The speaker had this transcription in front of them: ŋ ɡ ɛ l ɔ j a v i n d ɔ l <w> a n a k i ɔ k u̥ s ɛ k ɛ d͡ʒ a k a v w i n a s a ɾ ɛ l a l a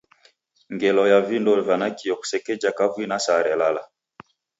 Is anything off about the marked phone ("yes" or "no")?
yes